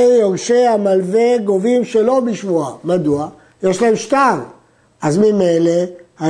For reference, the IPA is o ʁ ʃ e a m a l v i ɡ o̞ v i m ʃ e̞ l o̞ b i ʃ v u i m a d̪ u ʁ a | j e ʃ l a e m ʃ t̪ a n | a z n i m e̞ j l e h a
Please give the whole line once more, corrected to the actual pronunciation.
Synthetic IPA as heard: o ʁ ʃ e a m a l v e ɡ o̞ v i m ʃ e̞ l o̞ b i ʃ v u a m a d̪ u a | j e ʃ l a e m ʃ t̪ a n | a z m i m e̞ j l e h a